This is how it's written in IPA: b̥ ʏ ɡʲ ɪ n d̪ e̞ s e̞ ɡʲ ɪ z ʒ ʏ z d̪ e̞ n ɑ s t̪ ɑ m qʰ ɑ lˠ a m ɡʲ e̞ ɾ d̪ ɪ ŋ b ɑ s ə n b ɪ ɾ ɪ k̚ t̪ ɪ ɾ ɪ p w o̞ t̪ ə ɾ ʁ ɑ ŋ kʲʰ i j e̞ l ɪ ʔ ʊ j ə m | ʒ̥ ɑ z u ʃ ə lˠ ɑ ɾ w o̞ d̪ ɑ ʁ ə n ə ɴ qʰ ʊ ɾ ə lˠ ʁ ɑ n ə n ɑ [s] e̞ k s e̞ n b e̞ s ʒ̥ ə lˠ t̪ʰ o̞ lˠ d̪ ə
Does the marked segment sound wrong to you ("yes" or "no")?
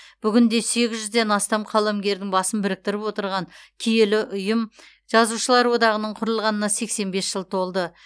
no